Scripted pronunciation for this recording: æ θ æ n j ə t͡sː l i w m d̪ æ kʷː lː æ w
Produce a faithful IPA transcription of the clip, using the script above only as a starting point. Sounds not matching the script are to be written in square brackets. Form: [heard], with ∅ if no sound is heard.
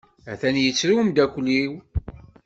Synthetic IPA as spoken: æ θ æ n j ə t͡sː [ɾ] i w m d̪ æ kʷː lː [i] w